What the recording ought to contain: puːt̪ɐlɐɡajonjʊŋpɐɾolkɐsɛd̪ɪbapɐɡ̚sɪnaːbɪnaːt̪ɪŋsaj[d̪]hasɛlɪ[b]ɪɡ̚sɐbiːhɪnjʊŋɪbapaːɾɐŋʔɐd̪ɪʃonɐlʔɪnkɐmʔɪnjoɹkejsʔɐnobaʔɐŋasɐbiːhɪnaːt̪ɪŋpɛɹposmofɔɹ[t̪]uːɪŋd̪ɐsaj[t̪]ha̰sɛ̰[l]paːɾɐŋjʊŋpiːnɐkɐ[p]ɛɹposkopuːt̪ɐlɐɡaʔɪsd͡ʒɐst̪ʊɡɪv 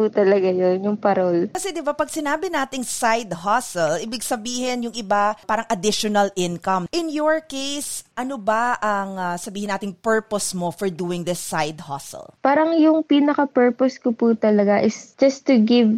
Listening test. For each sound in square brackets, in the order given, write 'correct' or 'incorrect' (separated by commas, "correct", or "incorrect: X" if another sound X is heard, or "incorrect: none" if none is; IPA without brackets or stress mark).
correct, correct, incorrect: d̪, incorrect: d̪, correct, correct